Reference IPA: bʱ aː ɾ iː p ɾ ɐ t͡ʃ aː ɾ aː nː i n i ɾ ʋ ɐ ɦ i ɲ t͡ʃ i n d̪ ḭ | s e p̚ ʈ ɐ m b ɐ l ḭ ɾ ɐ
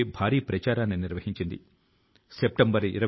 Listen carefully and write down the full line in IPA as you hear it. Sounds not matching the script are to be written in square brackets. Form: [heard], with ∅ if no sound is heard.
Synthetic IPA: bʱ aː ɾ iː p ɾ ɐ t͡ʃ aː ɾ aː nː i n i ɾ ʋ ɐ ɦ i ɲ t͡ʃ i n d̪ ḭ | s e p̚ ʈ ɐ m b ɐ [ɾ] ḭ ɾ ɐ